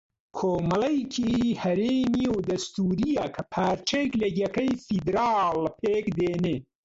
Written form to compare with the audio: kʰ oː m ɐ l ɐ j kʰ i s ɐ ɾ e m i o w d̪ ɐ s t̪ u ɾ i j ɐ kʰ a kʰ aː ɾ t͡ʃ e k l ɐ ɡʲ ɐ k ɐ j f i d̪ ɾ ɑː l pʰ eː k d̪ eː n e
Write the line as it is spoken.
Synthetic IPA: kʰ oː m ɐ l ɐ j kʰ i h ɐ ɾ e m i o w d̪ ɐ s t̪ u ɾ i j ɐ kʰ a pʰ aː ɾ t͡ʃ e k l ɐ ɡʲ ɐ k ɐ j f i d̪ ɾ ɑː l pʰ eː k d̪ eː n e